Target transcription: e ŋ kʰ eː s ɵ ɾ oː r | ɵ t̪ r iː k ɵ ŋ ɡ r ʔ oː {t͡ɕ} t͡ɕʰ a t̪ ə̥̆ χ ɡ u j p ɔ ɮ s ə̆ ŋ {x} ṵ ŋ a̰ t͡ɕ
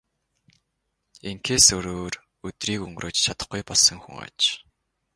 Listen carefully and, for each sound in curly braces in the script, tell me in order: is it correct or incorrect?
correct, correct

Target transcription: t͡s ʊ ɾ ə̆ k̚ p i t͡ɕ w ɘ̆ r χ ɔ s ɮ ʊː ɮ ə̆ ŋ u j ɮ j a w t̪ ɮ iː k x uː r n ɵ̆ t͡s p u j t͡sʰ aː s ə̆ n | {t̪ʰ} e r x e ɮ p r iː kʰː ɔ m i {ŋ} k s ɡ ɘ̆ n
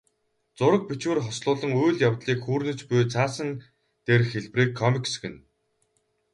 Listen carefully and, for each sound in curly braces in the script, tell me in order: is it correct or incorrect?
incorrect: t̪, incorrect: none

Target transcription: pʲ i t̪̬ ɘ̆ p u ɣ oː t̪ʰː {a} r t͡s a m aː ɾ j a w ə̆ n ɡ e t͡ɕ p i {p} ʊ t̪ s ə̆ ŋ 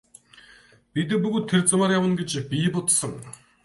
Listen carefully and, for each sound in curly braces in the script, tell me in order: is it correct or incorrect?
incorrect: e, correct

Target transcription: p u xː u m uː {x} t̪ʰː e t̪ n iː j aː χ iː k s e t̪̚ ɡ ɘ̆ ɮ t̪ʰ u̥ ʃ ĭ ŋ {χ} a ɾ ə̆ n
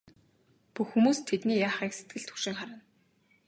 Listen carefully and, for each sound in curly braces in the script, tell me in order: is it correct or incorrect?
incorrect: s, correct

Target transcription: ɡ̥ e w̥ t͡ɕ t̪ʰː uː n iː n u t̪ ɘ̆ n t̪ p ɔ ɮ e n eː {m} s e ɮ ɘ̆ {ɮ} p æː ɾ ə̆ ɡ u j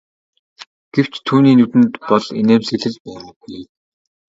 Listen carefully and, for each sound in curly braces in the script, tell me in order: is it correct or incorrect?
correct, correct

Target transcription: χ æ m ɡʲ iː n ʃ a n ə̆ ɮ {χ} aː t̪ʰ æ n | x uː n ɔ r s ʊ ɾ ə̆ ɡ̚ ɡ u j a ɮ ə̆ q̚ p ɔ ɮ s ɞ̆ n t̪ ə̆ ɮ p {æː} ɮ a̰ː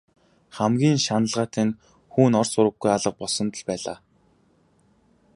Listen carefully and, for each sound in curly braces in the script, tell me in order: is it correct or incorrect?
incorrect: ʁ, correct

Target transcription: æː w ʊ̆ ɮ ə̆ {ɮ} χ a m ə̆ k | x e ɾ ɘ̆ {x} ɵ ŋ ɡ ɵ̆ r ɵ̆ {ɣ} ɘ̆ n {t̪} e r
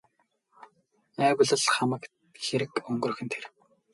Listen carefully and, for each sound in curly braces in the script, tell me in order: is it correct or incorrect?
correct, incorrect: k, incorrect: x, incorrect: t̪ʰ

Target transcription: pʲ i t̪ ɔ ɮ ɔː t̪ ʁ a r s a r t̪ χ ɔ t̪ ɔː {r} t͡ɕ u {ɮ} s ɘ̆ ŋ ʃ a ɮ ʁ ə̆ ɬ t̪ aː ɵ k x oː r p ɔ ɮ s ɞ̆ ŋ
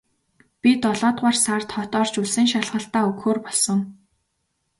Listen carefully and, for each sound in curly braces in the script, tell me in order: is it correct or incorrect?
correct, correct

